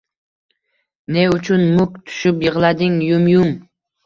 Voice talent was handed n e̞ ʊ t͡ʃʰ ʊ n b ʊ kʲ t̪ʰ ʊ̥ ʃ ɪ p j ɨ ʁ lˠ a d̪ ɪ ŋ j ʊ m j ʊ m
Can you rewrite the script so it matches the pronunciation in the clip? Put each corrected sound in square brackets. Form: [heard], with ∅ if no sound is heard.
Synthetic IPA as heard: n e̞ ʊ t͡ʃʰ ʊ n [m] ʊ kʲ t̪ʰ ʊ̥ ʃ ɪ p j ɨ ʁ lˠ a d̪ ɪ ŋ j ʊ m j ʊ m